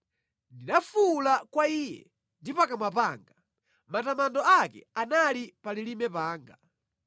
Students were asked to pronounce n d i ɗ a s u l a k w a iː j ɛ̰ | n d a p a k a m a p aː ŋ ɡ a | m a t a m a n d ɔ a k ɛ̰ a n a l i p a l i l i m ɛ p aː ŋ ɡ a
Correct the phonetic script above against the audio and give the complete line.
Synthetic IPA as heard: n d i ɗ a f u l a k w a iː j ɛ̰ | n d i p a k a m a p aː ŋ ɡ a | m a t a m a n d ɔ a k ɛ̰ a n a l i p a l i l i m ɛ p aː ŋ ɡ a